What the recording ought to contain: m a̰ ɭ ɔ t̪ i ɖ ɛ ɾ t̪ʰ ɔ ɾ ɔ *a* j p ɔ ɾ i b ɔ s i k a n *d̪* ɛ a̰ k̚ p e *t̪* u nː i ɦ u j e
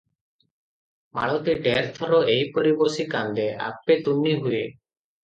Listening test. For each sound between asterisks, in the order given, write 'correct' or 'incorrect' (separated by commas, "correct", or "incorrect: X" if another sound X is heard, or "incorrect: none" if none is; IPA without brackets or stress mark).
incorrect: e, correct, correct